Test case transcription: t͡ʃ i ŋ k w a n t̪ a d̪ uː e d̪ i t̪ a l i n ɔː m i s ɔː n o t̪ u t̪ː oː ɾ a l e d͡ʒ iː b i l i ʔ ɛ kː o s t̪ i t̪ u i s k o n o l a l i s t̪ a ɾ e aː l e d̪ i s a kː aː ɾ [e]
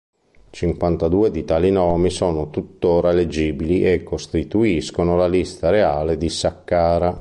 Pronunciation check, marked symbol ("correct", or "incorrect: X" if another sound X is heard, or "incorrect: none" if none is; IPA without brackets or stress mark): incorrect: a